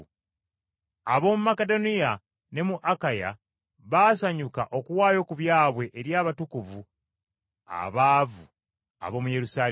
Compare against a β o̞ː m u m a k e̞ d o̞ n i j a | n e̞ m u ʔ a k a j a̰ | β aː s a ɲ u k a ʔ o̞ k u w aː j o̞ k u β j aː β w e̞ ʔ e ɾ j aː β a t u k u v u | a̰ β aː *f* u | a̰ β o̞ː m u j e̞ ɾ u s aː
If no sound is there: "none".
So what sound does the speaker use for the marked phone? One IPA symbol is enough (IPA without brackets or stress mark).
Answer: v